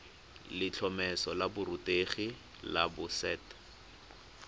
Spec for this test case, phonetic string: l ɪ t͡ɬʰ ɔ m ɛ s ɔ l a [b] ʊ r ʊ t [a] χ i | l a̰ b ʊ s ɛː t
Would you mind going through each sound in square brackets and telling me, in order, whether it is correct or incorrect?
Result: correct, incorrect: e

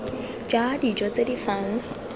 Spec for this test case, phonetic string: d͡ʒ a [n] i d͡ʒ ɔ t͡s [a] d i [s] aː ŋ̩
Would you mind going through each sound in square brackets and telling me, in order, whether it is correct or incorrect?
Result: incorrect: d, incorrect: e, incorrect: f

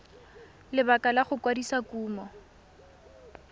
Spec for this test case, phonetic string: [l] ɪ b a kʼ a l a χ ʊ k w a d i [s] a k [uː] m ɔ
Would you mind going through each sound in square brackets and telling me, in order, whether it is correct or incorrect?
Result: correct, correct, correct

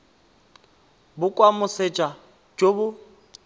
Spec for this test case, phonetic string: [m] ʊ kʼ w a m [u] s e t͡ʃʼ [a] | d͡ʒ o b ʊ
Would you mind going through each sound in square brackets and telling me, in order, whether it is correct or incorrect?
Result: incorrect: b, incorrect: ʊ, correct

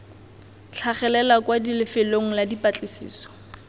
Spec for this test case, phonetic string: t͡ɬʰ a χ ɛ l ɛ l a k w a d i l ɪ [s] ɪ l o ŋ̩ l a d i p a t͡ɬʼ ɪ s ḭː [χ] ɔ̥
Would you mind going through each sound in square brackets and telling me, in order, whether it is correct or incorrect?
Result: incorrect: f, incorrect: s

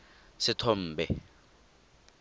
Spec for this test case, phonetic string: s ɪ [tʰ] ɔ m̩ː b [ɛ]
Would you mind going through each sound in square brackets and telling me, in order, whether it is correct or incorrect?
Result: correct, correct

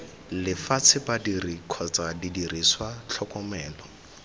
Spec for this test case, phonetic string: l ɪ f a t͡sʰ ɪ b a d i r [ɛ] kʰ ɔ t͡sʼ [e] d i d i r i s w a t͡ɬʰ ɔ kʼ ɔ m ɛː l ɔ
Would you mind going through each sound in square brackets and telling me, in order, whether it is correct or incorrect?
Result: incorrect: i, incorrect: a

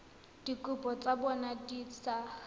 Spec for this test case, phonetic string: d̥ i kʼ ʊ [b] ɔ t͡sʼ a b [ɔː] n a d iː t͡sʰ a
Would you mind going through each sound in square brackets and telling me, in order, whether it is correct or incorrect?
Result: incorrect: p, incorrect: ɔ

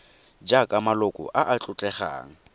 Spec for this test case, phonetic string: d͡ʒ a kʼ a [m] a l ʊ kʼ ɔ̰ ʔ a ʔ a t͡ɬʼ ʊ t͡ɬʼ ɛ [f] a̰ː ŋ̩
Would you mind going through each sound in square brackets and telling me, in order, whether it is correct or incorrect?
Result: correct, incorrect: χ

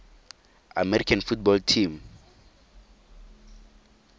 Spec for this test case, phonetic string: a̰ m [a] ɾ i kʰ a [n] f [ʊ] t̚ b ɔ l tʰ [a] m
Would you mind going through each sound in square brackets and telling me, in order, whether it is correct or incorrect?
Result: incorrect: ɛ, correct, incorrect: u, incorrect: i

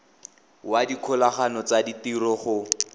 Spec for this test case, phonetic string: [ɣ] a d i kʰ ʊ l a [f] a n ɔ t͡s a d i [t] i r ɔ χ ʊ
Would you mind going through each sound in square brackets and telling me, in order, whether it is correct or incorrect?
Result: incorrect: w, incorrect: χ, correct

